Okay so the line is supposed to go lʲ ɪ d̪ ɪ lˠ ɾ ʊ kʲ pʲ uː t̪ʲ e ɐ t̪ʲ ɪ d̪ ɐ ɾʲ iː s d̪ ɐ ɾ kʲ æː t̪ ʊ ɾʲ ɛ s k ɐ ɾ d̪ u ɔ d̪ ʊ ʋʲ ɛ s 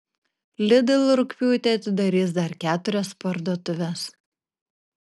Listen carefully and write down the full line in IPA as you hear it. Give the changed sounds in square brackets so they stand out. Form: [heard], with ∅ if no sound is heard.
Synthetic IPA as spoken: lʲ ɪ d̪ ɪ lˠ ɾ ʊ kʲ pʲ uː t̪ʲ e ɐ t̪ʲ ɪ d̪ ɐ ɾʲ iː s d̪ ɐ ɾ kʲ æː t̪ ʊ ɾʲ ɛ s [p] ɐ ɾ d̪ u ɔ [t̪] ʊ ʋʲ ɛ s